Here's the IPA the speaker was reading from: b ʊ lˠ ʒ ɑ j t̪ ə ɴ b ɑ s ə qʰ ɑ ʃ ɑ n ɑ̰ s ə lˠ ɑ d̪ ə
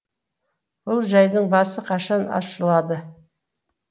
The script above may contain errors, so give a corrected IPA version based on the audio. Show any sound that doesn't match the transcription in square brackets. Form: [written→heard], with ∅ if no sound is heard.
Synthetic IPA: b ʊ lˠ ʒ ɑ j [t̪→d̪] ə ɴ b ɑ s ə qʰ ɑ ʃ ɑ n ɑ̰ [s→ʃ] ə lˠ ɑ d̪ ə